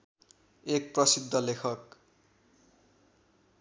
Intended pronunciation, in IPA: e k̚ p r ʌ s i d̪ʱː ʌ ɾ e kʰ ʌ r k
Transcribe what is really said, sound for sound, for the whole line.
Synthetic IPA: e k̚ p r ʌ s i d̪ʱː ʌ l e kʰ ʌ k